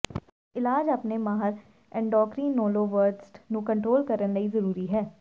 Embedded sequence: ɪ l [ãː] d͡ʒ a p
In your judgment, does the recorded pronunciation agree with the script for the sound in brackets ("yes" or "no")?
no